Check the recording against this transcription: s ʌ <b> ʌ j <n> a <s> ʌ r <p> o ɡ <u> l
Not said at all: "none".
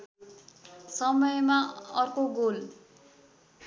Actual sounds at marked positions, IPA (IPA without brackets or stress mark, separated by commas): m, m, none, k, o